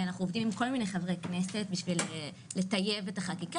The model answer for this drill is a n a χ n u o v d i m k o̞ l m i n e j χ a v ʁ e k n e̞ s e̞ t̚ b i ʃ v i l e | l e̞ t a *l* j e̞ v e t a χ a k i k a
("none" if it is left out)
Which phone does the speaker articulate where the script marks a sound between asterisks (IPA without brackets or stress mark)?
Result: none